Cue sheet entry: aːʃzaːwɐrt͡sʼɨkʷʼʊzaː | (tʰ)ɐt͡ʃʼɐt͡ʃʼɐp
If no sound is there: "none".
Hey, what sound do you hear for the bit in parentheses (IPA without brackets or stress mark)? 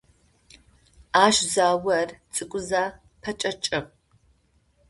pʰ